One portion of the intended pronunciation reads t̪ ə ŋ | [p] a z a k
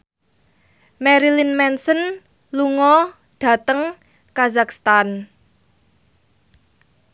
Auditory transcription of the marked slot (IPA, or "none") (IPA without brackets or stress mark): k